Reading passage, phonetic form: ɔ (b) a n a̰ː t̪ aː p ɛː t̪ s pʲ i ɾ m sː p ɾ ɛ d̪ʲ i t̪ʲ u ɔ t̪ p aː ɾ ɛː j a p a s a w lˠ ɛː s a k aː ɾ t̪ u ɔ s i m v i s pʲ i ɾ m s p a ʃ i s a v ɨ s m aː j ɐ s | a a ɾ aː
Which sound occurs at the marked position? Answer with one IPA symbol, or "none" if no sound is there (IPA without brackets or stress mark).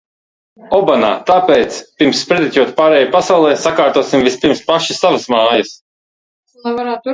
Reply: b